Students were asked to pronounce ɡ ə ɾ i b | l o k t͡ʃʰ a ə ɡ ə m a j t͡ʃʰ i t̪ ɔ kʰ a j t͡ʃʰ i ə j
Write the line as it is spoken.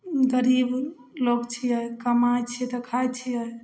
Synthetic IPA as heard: ɡ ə ɾ i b | l o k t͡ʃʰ i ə k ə m a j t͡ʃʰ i t̪ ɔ kʰ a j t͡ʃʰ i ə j

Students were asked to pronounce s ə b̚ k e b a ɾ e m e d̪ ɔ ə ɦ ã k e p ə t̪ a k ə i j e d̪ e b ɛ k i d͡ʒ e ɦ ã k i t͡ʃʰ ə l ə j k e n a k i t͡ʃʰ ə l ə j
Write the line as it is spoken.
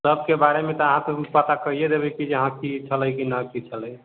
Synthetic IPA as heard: s ə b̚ k e b a ɾ e m e t̪ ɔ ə ɦ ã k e p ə t̪ a k ə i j e d̪ e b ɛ k i d͡ʒ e ɦ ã k i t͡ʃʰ ə l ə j k i n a k i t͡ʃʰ ə l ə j

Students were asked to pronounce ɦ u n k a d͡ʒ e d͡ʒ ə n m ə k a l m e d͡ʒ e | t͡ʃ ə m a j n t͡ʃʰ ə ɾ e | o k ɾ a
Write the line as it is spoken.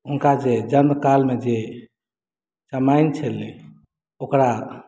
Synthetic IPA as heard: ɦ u n k a d͡ʒ e d͡ʒ ə n m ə k a l m e d͡ʒ e | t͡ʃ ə m a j n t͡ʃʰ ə l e | o k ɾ a

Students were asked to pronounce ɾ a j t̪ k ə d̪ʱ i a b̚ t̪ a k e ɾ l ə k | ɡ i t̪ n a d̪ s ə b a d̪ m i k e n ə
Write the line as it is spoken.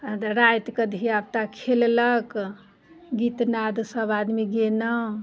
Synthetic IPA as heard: ɾ a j t̪ k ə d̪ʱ i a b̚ t̪ a kʰ e l l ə k | ɡ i t̪ n a d̪ s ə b a d̪ m i ɡ e n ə

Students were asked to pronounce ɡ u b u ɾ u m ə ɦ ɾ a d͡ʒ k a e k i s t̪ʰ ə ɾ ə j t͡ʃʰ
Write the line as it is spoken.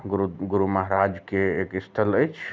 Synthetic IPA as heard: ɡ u ɡ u ɾ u m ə ɦ ɾ a d͡ʒ k e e k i s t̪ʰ ə l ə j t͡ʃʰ

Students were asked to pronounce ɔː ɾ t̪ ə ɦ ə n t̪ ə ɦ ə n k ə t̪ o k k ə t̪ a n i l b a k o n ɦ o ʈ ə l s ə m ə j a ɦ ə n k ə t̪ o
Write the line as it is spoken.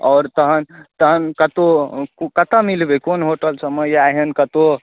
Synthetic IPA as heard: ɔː ɾ t̪ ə ɦ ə n t̪ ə ɦ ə n k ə t̪ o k k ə t̪ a m i l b e k o n ɦ o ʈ ə l s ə m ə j a ɦ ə n k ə t̪ o

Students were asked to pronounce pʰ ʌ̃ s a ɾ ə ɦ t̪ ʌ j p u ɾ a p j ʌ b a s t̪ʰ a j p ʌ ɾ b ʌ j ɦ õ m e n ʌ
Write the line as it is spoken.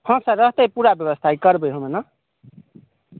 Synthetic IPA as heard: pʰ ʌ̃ s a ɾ ʌ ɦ t̪ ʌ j p u ɾ a b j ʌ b ʌ s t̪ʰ a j k ʌ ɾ b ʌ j ɦ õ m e n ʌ

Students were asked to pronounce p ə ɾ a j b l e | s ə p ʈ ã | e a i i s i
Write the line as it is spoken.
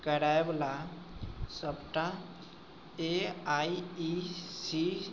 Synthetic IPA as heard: k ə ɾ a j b l a | s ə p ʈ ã | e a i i s i

